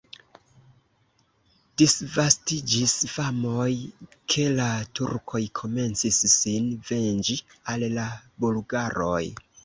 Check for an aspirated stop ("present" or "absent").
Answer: present